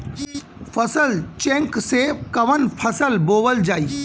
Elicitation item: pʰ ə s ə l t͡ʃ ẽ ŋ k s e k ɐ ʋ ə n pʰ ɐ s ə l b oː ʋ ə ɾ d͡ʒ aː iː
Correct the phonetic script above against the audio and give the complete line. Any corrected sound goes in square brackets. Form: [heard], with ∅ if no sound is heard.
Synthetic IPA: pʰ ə s ə l t͡ʃ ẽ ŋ k s e k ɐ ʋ ə n pʰ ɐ s ə l b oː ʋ ə [l] d͡ʒ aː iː